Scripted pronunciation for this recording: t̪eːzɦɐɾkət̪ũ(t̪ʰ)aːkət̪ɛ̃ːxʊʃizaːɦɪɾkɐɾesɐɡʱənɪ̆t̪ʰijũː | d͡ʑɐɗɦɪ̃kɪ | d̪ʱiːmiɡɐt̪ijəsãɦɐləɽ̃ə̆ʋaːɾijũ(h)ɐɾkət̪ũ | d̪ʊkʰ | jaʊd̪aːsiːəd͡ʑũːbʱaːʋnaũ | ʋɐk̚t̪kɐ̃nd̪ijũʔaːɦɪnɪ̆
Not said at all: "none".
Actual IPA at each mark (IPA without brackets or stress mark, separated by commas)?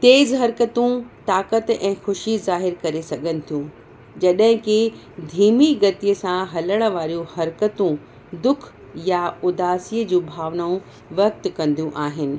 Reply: t̪, h